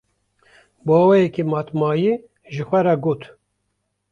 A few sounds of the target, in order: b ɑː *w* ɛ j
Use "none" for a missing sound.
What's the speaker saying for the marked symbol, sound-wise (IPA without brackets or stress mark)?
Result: w